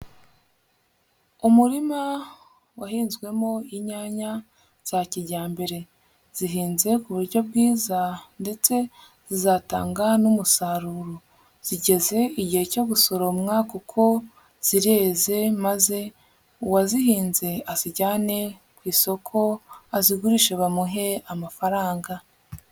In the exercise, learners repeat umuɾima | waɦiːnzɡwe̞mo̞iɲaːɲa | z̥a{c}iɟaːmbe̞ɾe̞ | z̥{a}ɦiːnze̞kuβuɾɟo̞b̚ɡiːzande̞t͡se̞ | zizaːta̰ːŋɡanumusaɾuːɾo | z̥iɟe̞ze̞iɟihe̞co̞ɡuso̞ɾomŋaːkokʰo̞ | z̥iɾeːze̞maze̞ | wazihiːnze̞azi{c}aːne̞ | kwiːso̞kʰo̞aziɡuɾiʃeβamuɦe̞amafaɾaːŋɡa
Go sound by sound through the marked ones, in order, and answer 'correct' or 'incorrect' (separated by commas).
correct, incorrect, incorrect